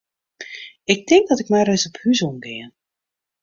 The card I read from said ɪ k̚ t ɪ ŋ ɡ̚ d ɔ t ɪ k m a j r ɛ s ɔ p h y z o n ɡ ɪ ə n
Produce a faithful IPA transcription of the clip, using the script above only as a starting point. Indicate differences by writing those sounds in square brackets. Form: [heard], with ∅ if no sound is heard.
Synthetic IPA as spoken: ɪ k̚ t ɪ ŋ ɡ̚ d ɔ t ɪ k m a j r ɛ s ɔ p h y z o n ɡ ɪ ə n